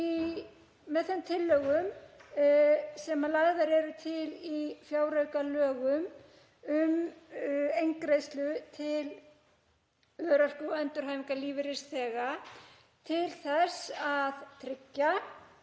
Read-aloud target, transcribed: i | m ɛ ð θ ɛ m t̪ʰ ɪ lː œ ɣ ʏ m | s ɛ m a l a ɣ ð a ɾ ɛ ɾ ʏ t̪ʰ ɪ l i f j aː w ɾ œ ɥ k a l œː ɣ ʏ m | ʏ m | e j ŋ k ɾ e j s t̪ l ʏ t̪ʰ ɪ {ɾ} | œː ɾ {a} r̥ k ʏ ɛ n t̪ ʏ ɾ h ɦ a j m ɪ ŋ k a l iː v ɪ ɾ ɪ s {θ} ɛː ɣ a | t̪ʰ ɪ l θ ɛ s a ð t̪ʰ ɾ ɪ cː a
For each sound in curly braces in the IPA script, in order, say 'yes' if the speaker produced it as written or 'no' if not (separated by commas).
no, yes, yes